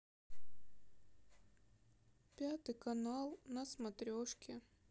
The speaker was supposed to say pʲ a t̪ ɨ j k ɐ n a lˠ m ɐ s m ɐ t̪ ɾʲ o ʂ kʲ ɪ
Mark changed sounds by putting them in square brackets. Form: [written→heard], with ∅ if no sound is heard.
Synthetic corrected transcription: pʲ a t̪ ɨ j k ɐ n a lˠ [m→n] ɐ s m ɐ t̪ ɾʲ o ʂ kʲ ɪ